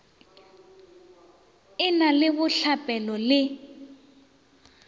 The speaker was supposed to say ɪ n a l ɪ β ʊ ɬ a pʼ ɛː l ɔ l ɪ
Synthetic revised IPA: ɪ n a l ɪ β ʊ ɬ a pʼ ɛ l ɔ l ɪ